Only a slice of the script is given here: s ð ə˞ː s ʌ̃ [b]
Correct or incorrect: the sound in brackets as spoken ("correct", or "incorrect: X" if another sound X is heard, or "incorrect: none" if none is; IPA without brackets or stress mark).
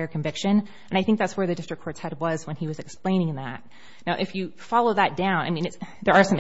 incorrect: m